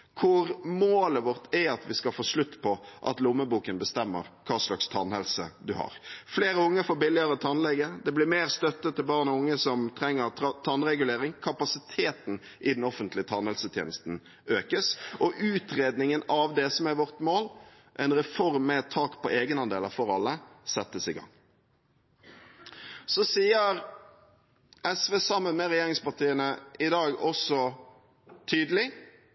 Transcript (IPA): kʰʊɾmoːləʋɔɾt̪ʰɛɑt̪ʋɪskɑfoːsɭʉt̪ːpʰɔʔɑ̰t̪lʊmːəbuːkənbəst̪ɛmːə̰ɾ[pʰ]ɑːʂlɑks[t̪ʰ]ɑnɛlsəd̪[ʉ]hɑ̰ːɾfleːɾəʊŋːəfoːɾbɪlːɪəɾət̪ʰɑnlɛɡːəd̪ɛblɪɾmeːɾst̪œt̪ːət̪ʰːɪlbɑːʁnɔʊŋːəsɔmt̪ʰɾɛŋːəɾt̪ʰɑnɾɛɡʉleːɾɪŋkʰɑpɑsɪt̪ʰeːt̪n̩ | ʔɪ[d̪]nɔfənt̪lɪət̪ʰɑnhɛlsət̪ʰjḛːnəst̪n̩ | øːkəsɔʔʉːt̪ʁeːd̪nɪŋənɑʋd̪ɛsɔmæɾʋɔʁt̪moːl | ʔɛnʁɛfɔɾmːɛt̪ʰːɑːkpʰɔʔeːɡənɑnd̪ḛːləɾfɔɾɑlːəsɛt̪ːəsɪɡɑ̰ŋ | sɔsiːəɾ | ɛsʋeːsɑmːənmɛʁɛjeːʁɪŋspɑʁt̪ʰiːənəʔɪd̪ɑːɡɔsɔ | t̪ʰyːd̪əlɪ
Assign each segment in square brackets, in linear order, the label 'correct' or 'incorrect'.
incorrect: kʰ, correct, correct, correct

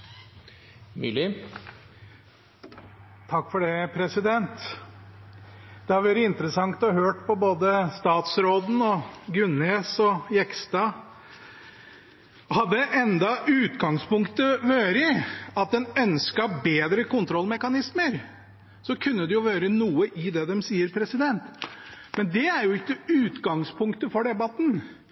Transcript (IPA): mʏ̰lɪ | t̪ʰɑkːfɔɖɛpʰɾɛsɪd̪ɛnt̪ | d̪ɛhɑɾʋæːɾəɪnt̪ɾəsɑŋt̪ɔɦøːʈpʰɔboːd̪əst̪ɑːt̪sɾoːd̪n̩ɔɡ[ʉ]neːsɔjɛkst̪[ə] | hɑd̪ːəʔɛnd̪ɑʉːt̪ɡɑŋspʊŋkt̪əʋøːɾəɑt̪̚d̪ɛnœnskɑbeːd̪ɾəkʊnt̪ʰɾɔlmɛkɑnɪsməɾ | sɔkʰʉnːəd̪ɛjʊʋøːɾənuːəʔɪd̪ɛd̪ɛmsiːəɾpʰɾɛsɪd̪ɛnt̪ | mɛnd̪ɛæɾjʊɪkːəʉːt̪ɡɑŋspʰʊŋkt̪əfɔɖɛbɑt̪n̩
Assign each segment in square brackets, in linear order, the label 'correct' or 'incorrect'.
correct, incorrect: ɑ

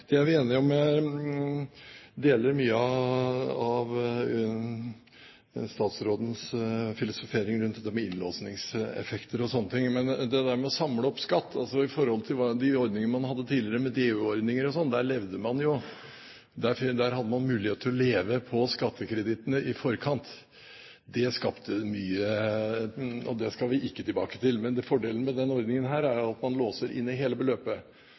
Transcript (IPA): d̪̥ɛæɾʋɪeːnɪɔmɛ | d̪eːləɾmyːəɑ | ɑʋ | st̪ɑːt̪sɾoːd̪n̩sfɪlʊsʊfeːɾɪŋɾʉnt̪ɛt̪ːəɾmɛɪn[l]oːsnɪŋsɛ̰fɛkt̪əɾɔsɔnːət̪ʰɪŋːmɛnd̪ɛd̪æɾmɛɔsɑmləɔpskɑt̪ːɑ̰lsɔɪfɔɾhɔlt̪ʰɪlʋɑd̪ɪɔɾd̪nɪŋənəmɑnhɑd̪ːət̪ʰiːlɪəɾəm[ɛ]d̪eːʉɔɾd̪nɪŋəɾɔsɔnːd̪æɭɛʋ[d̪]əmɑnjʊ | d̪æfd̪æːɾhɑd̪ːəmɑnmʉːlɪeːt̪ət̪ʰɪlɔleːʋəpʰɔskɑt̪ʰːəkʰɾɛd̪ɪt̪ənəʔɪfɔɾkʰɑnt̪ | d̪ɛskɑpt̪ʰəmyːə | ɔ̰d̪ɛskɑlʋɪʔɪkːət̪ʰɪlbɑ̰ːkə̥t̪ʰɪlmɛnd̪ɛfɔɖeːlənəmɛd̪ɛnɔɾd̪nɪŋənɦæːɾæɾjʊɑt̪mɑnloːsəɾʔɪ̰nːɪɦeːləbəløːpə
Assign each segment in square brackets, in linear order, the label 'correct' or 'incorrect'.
correct, correct, correct

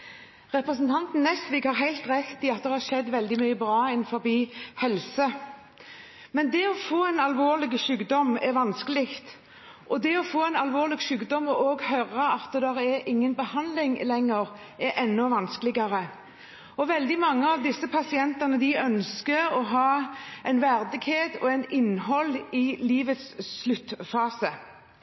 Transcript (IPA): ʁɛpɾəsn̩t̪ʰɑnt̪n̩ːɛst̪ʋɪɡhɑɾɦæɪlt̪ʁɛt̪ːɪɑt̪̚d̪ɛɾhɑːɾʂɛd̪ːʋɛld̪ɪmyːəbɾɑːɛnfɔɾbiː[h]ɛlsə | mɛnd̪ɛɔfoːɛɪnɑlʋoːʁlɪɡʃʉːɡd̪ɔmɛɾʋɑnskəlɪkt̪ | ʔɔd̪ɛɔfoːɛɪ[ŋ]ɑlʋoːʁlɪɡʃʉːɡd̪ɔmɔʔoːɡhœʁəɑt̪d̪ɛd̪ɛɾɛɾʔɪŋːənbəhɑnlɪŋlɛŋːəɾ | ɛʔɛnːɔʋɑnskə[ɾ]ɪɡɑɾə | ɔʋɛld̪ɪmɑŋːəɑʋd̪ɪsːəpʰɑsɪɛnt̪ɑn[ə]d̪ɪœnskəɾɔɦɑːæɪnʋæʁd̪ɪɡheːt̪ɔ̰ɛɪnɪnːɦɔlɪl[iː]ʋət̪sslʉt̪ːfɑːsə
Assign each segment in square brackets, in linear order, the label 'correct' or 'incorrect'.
correct, incorrect: n, incorrect: l, correct, correct

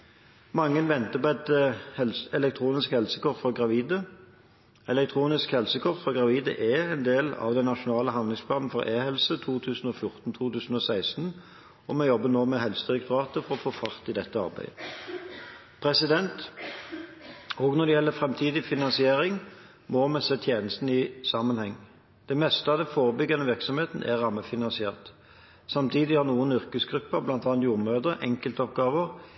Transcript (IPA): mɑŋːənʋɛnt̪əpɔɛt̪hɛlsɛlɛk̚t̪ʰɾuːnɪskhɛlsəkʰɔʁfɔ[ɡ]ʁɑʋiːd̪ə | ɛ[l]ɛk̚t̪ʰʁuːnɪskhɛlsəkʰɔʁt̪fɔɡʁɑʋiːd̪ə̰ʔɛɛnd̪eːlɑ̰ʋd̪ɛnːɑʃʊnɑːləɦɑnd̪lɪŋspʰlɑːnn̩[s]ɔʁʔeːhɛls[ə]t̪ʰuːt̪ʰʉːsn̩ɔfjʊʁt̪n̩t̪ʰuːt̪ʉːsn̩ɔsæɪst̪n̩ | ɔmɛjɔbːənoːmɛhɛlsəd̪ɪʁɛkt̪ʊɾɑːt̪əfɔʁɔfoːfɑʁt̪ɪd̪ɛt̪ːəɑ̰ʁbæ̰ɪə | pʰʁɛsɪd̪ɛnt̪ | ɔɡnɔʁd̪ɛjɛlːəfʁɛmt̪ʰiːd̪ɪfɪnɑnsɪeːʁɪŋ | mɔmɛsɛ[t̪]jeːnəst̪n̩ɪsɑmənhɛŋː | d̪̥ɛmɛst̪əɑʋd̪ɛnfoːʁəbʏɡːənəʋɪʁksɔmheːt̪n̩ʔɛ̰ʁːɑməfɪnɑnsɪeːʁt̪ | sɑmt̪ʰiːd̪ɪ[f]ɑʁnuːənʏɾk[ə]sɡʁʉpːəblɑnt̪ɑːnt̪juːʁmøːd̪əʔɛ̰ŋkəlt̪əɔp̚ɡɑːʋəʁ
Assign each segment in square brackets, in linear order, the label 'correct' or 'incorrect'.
correct, correct, incorrect: f, correct, incorrect: t̪ʰ, incorrect: h, correct

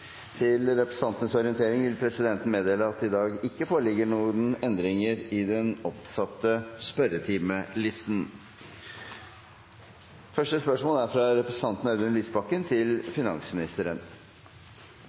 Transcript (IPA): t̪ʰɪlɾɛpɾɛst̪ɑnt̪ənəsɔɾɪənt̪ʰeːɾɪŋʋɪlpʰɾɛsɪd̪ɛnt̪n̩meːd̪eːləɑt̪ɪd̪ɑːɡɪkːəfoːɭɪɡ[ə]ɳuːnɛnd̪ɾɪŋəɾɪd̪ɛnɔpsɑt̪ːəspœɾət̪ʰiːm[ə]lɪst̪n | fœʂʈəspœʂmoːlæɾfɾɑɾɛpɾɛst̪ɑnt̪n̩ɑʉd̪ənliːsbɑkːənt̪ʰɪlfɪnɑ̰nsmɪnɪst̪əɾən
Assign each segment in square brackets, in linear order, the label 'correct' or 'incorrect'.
correct, correct

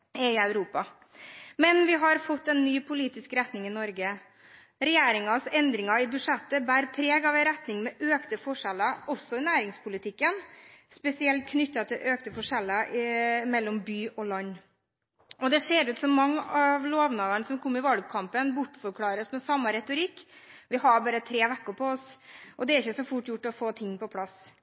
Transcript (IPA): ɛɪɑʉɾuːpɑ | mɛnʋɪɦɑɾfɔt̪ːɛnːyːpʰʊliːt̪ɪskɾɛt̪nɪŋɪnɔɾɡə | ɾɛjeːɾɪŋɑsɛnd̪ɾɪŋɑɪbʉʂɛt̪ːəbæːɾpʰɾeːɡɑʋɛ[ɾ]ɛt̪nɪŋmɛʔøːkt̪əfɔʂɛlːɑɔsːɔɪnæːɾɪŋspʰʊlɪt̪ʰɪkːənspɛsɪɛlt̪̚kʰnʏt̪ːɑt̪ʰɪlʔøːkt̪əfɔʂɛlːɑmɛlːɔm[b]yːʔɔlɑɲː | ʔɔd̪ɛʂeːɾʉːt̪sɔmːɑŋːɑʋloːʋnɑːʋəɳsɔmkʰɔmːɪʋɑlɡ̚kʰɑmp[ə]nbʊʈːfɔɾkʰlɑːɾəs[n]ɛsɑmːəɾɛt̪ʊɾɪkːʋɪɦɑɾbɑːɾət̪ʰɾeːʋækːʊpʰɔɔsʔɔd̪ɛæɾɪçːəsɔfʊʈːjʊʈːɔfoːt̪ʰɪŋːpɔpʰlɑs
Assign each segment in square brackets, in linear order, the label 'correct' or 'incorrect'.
correct, correct, correct, incorrect: m

